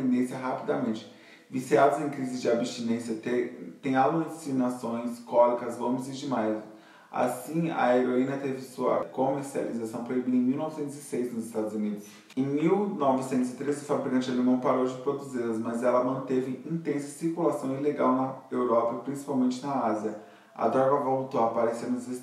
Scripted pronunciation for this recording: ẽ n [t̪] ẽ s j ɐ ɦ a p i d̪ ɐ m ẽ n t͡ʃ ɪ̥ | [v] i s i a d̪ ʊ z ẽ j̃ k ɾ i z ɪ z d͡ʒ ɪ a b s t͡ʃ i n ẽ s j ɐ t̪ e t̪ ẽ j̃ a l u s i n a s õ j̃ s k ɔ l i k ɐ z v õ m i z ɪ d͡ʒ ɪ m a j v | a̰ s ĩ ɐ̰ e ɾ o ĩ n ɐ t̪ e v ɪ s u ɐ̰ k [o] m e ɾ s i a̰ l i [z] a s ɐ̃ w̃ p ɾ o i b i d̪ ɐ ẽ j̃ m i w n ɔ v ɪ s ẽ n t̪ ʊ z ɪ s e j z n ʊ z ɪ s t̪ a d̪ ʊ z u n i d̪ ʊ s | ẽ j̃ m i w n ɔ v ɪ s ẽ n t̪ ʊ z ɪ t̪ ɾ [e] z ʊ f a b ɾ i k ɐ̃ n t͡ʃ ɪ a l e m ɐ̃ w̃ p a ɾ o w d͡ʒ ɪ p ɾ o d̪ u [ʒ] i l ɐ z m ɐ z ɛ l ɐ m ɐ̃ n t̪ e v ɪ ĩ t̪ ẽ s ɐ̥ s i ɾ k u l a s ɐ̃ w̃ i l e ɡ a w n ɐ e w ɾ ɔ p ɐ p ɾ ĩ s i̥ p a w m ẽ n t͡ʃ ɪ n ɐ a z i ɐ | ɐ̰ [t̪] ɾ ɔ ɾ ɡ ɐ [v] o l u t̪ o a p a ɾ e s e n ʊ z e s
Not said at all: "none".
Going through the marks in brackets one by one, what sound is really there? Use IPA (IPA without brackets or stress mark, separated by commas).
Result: d̪, v, o, z, e, z, d̪, v